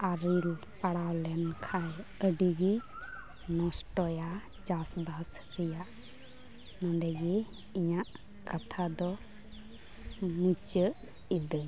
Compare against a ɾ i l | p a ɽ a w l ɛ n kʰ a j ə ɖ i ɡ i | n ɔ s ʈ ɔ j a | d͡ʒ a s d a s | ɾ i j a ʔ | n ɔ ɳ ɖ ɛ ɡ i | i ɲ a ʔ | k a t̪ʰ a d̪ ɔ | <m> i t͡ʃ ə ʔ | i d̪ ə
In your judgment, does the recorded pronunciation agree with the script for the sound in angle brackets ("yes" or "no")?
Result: yes